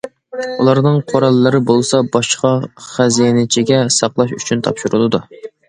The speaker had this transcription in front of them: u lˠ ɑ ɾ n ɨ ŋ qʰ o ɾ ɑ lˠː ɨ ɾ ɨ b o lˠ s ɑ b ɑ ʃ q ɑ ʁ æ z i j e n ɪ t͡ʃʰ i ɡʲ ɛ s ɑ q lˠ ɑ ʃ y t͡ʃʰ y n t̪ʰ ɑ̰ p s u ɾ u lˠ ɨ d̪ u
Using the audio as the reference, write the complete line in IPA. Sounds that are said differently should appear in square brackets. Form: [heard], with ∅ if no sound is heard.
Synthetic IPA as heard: u lˠ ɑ ɾ n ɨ ŋ qʰ o ɾ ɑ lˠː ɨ ɾ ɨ b o lˠ s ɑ b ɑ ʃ q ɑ [χ] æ z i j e n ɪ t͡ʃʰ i ɡʲ ɛ s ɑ q lˠ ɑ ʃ y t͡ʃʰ y n t̪ʰ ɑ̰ p [ʃ] u ɾ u lˠ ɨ d̪ u

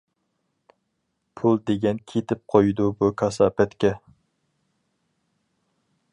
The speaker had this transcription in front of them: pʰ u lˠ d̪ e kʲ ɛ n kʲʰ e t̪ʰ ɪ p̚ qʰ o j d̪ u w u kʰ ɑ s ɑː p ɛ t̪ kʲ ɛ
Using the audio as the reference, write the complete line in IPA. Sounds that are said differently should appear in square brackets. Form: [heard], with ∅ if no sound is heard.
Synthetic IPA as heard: pʰ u lˠ d̪ e [ɡʲ] ɛ n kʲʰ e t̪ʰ ɪ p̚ qʰ o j d̪ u [b] u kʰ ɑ s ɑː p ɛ t̪ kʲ ɛ

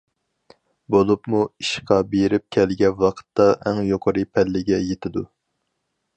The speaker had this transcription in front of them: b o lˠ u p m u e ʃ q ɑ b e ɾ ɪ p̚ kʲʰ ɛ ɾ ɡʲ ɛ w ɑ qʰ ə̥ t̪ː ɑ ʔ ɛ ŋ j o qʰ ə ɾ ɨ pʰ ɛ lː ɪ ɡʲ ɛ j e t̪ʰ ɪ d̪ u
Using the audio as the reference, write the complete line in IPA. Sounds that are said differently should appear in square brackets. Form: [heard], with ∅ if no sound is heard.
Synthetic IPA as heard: b o lˠ u p m u [i] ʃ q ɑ b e ɾ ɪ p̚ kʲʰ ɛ [l] ɡʲ ɛ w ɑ qʰ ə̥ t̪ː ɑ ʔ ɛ ŋ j o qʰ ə ɾ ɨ pʰ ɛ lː ɪ ɡʲ ɛ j e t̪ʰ ɪ d̪ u

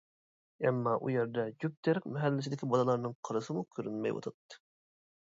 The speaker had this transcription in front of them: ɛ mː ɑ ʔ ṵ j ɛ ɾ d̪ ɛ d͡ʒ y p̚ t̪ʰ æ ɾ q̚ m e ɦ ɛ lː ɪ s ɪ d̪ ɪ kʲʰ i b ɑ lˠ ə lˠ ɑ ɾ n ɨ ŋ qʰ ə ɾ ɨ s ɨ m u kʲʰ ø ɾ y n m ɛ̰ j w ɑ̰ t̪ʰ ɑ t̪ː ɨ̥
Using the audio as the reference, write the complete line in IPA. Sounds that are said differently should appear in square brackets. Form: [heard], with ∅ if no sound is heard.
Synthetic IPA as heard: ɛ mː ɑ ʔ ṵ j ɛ ɾ d̪ ɛ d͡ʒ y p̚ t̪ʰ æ ɾ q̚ m [ɛ] ɦ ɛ lː ɪ s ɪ d̪ ɪ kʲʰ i b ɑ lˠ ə lˠ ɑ ɾ n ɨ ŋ qʰ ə ɾ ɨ s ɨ m u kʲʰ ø ɾ y n m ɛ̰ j w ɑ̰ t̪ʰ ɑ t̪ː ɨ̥

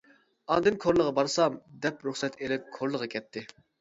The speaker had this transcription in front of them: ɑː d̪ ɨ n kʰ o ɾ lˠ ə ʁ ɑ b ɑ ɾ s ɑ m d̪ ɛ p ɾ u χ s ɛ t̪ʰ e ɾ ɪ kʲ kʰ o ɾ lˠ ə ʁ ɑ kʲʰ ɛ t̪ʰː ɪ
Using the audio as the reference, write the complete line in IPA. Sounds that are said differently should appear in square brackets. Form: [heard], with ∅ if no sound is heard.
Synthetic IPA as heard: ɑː d̪ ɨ n kʰ o ɾ lˠ ə ʁ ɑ b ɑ ɾ s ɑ m d̪ ɛ p ɾ u χ s ɛ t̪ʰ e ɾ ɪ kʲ kʰ o ɾ lˠ ə ʁ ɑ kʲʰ ɛ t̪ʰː ɪ

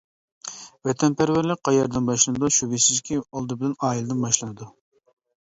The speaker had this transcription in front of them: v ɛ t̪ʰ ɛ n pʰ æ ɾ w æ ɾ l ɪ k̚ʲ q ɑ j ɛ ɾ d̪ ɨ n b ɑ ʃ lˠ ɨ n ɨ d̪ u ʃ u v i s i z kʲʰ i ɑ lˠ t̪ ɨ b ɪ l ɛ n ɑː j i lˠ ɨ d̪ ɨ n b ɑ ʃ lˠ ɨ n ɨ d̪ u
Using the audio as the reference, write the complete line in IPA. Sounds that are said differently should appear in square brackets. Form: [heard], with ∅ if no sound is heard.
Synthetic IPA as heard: v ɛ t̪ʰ ɛ n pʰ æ ɾ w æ ɾ l ɪ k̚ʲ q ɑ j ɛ ɾ d̪ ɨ n b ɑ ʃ lˠ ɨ n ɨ d̪ u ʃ u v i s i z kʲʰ i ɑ lˠ [d̪] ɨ b ɪ l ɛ n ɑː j i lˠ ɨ d̪ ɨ n b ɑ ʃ lˠ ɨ n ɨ d̪ u

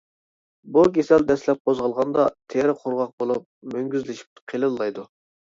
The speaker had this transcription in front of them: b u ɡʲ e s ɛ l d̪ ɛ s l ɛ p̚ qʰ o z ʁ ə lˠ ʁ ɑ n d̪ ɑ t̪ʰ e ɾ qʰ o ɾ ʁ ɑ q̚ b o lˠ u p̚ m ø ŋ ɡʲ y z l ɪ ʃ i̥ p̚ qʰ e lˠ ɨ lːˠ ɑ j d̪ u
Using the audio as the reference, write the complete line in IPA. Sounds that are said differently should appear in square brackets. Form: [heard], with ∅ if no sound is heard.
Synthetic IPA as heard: b u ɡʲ e s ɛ l d̪ ɛ s l ɛ p̚ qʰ o z ʁ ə lˠ ʁ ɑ n d̪ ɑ t̪ʰ e ɾ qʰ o ɾ ʁ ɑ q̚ b o lˠ u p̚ m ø ŋ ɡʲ y z l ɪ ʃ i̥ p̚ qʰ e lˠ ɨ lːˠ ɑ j d̪ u

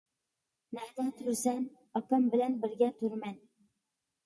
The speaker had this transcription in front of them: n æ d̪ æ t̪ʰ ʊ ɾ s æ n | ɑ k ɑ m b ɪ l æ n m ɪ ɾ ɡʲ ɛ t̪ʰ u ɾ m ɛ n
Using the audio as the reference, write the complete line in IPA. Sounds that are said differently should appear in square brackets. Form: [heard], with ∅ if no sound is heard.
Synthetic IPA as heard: n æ d̪ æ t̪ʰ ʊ ɾ s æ n | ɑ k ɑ m b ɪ l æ n [b] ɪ ɾ ɡʲ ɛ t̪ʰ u ɾ m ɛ n

